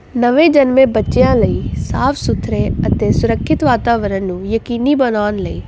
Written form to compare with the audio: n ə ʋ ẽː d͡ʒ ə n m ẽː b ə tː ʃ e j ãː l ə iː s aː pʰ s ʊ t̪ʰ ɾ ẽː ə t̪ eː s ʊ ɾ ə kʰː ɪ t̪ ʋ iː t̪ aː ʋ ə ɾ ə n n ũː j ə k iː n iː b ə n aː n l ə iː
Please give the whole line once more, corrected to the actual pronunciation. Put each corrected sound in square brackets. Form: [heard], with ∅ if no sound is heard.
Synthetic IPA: n ə ʋ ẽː d͡ʒ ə n m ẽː b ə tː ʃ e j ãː l ə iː s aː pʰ s ʊ t̪ʰ ɾ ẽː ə t̪ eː s ʊ ɾ ə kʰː ɪ t̪ ʋ [aː] t̪ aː ʋ ə ɾ ə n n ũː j ə k iː n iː b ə n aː n l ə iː